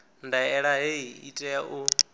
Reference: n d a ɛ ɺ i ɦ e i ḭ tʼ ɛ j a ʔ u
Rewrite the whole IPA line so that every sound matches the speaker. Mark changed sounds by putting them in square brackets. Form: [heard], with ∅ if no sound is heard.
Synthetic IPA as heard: n d a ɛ ɺ [a] ɦ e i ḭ tʼ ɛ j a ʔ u